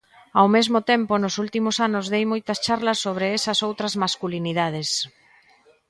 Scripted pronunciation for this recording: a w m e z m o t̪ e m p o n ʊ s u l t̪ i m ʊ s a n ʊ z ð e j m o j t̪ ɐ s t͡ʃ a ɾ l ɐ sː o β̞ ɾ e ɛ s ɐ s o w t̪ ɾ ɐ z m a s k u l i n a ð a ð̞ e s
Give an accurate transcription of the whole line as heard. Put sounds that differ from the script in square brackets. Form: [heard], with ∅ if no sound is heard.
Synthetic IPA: a w m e z m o t̪ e m p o n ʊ s u l t̪ i m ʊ s a n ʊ z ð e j m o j t̪ ɐ s t͡ʃ a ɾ l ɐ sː o β̞ ɾ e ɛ s ɐ s o w t̪ ɾ ɐ z m a s k u l i n [i] ð a ð̞ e s